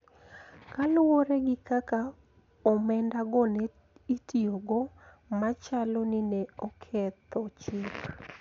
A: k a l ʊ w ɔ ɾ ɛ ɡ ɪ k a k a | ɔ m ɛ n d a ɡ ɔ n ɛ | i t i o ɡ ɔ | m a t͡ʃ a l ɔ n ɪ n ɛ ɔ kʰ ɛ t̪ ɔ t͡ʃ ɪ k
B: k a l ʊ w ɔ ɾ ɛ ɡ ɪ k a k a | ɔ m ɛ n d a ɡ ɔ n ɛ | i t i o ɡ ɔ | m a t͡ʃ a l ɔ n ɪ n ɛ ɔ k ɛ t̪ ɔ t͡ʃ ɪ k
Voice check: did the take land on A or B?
A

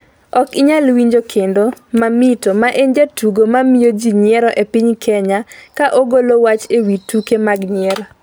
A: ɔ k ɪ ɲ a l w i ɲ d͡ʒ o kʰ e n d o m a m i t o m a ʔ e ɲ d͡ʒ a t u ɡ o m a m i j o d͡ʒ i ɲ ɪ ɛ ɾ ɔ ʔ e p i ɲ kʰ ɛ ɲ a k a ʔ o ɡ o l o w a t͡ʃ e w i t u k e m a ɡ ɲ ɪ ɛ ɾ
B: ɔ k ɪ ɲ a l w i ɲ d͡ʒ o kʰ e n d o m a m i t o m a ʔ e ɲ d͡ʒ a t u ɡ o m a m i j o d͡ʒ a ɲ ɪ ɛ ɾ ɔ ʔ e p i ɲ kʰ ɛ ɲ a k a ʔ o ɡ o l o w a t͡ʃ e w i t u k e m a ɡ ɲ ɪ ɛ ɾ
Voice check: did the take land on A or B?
A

